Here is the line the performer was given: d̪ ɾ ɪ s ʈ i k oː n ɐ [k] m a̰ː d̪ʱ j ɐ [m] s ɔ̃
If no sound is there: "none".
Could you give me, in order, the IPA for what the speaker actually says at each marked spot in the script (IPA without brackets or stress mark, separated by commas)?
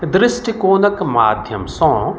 k, m